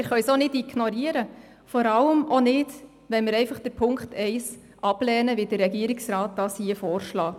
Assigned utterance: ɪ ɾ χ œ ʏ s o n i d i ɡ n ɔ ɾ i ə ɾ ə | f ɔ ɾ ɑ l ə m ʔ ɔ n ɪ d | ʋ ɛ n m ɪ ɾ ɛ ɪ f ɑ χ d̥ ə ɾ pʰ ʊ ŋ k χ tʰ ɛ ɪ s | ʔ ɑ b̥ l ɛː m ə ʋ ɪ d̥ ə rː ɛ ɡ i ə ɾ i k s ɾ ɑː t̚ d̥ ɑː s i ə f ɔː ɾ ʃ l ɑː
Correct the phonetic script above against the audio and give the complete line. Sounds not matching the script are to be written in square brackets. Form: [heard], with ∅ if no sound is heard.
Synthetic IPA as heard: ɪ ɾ χ œ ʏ s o n [ɪ] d i ɡ n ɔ ɾ i ə ɾ ə | f ɔ ɾ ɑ l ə m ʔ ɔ n ɪ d | ʋ ɛ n m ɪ ɾ ɛ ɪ f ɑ χ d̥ ə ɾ pʰ ʊ ŋ k χ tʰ ɛ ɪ s | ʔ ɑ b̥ l ɛː [n] ə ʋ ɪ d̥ ə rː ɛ ɡ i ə ɾ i k s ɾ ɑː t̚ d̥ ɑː s i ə f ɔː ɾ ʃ l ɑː